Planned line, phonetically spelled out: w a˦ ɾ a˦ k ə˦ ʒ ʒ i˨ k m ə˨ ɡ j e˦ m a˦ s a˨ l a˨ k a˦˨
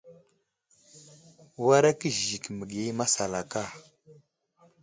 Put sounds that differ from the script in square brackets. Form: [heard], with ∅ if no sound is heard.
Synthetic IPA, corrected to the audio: w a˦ ɾ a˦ k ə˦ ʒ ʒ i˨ k m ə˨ ɡ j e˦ m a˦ s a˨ l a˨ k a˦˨